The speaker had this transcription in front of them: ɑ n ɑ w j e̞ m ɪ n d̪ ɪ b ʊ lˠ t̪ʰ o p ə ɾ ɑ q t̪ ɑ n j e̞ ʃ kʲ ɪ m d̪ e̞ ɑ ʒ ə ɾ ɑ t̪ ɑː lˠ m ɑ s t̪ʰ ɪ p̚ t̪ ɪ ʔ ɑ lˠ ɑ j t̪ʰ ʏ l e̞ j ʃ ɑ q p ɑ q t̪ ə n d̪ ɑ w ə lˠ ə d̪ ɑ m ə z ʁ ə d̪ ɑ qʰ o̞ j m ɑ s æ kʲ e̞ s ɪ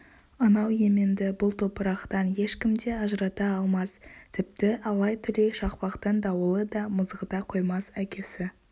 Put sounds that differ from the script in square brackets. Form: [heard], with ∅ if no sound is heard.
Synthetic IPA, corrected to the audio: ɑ n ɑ w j e̞ m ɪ n d̪ ɪ b ʊ lˠ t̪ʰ o p ə ɾ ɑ q t̪ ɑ n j e̞ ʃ kʲ ɪ m d̪ e̞ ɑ ʒ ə ɾ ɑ t̪ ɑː lˠ m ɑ s t̪ʰ ɪ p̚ t̪ ɪ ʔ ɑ lˠ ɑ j t̪ʰ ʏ l e̞ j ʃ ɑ q p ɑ q t̪ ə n d̪ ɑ w ə lˠ ə d̪ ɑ m ə z ʁ ə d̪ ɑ qʰ o̞ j m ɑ s æ kʲ e̞ s ɪ